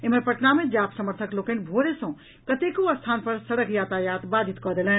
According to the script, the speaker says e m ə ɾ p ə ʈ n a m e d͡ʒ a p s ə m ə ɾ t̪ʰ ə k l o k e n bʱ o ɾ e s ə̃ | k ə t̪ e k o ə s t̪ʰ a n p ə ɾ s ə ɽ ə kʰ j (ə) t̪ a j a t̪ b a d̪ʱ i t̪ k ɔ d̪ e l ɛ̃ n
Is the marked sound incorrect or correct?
incorrect